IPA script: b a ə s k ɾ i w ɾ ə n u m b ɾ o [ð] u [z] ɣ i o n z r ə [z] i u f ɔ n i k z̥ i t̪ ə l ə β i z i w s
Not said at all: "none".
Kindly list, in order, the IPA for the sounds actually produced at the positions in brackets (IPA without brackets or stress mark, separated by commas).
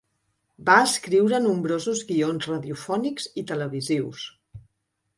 z, z, ð